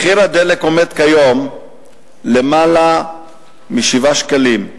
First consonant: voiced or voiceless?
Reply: voiceless